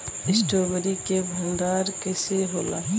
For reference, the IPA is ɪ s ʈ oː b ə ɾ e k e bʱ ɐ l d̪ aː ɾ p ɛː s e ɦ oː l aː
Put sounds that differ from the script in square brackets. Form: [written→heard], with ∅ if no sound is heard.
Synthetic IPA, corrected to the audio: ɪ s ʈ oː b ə ɾ [e→i] k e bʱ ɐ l d̪ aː ɾ [p→k] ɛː s e ɦ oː l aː